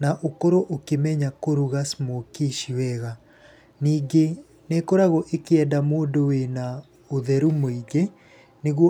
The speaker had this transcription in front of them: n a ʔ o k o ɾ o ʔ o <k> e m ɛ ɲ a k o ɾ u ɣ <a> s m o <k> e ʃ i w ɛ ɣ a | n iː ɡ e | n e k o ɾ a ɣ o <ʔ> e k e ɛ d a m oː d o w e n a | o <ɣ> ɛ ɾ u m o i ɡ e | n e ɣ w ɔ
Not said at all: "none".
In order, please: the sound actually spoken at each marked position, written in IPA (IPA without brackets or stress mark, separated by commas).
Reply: k, a, k, ʔ, ð